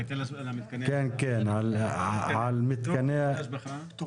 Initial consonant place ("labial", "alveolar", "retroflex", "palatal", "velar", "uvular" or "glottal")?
velar